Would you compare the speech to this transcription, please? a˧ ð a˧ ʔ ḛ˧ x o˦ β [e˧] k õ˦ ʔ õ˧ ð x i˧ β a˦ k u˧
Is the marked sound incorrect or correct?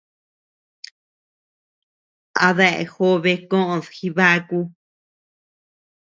correct